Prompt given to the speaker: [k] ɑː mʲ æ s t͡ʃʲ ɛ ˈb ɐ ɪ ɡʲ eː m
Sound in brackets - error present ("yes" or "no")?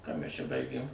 no